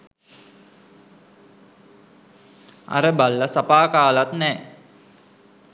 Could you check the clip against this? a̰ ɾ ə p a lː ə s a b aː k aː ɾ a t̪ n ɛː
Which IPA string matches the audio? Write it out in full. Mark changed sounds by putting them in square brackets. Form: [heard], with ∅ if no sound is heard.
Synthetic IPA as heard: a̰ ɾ ə [b] a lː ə s a [p] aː k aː [l] a t̪ n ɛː